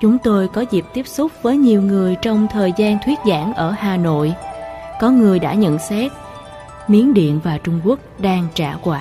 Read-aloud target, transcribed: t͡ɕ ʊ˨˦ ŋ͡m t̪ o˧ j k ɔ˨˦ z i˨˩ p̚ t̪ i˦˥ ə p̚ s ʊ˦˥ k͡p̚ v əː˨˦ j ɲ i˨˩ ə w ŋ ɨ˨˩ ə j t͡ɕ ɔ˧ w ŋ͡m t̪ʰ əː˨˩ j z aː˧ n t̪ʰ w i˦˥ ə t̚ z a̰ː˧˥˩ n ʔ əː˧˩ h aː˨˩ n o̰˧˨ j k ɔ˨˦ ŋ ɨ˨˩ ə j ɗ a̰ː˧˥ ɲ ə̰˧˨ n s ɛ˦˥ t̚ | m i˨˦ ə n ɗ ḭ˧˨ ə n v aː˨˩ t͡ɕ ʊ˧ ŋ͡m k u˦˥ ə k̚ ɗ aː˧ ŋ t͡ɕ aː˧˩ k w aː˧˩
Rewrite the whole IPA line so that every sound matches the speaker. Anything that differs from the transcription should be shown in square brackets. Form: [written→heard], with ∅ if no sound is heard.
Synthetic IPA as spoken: t͡ɕ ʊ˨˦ ŋ͡m t̪ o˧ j k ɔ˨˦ z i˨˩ p̚ t̪ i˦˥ ə p̚ s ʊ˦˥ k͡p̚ v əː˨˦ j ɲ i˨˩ ə w ŋ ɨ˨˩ ə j t͡ɕ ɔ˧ w ŋ͡m t̪ʰ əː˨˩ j z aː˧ n t̪ʰ w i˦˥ ə t̚ z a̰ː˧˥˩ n ʔ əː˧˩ h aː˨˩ n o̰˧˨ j k ɔ˨˦ ŋ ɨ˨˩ ə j ɗ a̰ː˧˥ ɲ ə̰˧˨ n s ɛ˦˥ t̚ | m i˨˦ ə n ɗ ḭ˧˨ ə n v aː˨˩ t͡ɕ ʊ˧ ŋ͡m k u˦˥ ə k̚ ɗ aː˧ ŋ t͡ɕ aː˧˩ k w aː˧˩